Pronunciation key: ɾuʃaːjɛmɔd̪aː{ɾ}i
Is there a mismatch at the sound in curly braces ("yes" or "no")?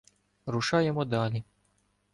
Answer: yes